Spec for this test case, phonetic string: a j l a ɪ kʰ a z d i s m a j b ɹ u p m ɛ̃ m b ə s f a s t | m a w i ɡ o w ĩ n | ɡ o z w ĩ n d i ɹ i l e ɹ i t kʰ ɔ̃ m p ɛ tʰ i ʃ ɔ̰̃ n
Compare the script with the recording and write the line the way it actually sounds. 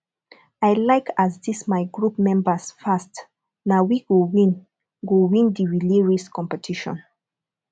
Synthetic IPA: a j l a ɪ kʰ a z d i s m a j ɡ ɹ u p m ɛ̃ m b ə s f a s t | n a w i ɡ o w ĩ n | ɡ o w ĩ n d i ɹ i l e ɹ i s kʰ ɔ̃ m p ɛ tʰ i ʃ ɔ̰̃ n